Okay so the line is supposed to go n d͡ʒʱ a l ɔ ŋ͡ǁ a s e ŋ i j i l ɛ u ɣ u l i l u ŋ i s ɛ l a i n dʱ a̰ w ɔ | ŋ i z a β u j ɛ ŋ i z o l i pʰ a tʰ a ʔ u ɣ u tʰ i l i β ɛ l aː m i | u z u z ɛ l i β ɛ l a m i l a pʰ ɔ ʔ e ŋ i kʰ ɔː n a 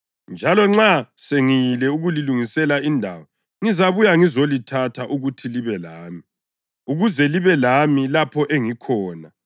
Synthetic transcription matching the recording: n d͡ʒʱ a l ɔ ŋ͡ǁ a s e ŋ i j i l ɛ u ɣ u l i l u ŋ i s ɛ l a i n dʱ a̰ w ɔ | ŋ i z a β u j a ŋ i z o l i tʰ a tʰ a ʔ u ɣ u tʰ i l i β ɛ l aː m i | u ɣ u z ɛ l i β ɛ l a m i l a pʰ ɔ ʔ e ŋ i kʰ ɔː n a